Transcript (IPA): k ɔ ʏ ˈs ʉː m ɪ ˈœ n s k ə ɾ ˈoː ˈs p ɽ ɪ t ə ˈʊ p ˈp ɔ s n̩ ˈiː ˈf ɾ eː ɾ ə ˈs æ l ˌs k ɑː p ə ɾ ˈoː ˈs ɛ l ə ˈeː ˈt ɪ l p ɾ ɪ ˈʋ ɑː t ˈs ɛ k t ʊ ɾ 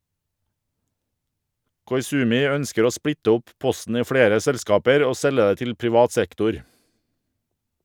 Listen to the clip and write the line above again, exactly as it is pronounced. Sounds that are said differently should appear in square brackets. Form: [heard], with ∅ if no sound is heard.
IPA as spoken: k ɔ ʏ ˈs ʉː m ɪ ˈœ n s k ə ɾ ˈoː ˈs p ɽ ɪ t ə ˈʊ p ˈp ɔ s n̩ ˈiː ˈf [ɽ] eː ɾ ə ˈs [ɛ] l ˌs k ɑː p ə ɾ ˈoː ˈs ɛ l ə ˈeː ˈt ɪ l p ɾ ɪ ˈʋ ɑː t ˈs ɛ k t ʊ ɾ